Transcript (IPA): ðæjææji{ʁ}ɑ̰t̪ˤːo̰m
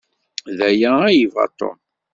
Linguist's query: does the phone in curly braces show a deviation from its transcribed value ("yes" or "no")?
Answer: yes